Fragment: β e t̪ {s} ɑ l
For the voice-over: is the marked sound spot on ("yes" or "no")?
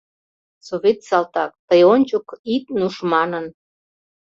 yes